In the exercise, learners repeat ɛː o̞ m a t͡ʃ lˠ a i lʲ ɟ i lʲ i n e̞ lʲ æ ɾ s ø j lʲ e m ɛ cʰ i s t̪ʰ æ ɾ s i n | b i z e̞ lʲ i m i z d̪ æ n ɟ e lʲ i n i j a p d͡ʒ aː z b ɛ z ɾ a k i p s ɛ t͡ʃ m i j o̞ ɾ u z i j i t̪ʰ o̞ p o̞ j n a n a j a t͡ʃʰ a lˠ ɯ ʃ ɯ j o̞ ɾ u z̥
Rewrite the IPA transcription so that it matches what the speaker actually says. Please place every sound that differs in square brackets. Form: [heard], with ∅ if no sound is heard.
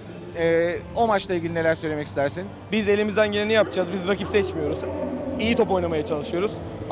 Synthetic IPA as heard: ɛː o̞ m a t͡ʃ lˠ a i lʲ ɟ i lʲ i n e̞ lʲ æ ɾ s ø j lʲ e m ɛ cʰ i s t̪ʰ æ ɾ s i n | b i z e̞ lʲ i m i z d̪ æ n ɟ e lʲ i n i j a p d͡ʒ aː z b [i] z ɾ a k i p s ɛ t͡ʃ m i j o̞ ɾ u z i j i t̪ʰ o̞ p o̞ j n a [m] a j a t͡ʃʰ a lˠ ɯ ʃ ɯ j o̞ ɾ u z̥